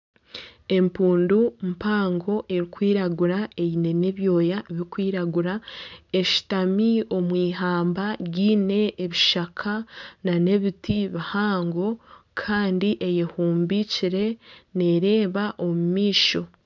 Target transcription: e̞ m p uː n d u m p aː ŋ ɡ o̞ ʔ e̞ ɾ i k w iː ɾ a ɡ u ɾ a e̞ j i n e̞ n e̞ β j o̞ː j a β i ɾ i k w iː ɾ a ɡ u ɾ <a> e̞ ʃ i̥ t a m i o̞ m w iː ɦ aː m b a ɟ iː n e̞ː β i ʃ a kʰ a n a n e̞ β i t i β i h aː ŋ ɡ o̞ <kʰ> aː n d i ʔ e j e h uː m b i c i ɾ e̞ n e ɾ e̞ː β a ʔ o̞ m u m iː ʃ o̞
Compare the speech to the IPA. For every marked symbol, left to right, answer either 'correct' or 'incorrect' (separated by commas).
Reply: correct, correct